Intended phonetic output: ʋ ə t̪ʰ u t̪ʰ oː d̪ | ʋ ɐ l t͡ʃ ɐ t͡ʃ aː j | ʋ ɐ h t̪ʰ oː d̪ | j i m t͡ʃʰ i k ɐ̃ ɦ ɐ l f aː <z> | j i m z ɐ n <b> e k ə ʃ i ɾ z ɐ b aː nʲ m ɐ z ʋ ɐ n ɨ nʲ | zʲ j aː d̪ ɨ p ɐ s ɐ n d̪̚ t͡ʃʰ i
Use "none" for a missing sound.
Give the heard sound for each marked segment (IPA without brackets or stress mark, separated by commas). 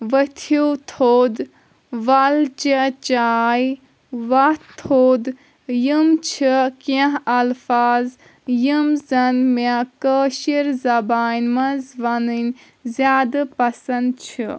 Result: z, m